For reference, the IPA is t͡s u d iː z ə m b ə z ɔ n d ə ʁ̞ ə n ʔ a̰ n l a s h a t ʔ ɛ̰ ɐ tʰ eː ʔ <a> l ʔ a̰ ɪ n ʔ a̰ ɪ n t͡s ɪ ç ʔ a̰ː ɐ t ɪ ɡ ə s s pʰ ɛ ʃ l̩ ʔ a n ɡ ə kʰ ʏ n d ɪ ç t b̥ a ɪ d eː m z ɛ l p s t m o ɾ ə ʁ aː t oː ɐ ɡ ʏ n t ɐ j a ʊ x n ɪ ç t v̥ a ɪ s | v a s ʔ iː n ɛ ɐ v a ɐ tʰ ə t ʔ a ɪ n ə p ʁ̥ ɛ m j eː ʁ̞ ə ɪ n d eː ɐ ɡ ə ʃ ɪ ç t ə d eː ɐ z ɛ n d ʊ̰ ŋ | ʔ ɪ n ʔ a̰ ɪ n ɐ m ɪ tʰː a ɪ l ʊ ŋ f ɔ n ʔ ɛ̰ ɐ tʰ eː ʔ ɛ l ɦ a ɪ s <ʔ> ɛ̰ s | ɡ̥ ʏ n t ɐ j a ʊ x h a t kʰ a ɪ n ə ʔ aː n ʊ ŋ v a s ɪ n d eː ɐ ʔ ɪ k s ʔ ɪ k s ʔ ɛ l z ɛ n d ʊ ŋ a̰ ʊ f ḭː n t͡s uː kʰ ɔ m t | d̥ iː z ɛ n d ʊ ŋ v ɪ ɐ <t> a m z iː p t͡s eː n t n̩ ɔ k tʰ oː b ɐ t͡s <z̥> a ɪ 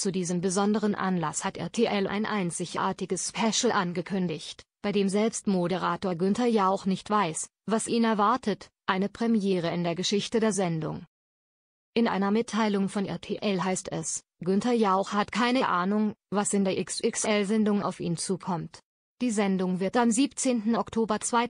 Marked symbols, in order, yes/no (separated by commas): no, no, yes, no